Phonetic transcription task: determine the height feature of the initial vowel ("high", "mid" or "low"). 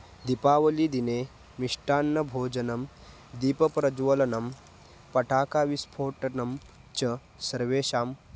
high